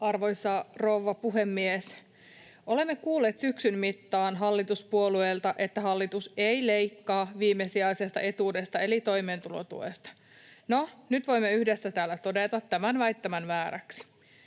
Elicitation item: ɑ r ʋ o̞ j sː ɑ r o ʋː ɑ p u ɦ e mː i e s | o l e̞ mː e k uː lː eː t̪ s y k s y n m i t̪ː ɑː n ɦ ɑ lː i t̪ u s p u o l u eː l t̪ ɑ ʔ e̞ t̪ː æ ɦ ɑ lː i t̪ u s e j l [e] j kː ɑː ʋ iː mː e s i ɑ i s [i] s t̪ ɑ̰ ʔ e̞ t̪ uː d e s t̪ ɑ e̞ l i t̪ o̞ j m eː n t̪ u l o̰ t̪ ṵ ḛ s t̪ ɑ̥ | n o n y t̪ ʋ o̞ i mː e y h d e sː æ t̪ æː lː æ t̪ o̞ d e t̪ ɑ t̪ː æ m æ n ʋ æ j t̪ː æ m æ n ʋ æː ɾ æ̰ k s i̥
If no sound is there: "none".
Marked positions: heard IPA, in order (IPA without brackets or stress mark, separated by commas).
e, e